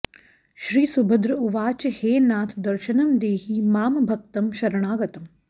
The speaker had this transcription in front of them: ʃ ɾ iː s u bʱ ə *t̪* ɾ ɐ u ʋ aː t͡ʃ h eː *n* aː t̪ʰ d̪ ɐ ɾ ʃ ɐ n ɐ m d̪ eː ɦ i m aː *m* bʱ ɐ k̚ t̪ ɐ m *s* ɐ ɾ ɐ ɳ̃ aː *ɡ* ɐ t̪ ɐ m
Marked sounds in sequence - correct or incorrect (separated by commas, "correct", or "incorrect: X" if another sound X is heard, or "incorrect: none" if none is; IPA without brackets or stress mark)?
incorrect: d̪, correct, correct, incorrect: ʃ, correct